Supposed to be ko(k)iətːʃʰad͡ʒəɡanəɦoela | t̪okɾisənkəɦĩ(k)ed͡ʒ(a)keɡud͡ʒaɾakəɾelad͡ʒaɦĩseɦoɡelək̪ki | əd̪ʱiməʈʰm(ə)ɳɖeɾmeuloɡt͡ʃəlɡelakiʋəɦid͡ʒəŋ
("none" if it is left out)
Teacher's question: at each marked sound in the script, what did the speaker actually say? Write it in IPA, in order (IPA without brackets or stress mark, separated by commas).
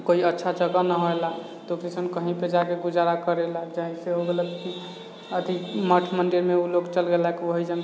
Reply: none, p, a, ə